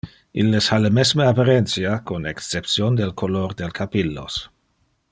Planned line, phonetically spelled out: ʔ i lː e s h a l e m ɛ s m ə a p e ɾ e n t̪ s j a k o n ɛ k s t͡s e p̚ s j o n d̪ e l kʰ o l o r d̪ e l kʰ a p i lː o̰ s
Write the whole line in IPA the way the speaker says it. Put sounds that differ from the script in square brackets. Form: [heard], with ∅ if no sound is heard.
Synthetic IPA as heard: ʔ i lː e s h a l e m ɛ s m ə a p [a] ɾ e n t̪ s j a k o n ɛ k s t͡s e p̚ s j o n d̪ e l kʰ o l o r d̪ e l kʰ a p i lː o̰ s